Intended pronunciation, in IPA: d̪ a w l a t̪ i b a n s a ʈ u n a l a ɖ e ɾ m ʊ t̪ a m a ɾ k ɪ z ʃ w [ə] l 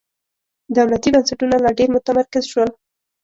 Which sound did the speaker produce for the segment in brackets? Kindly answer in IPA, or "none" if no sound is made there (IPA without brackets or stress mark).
ə